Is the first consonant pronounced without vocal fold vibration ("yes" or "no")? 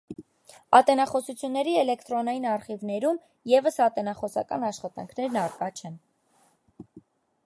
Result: yes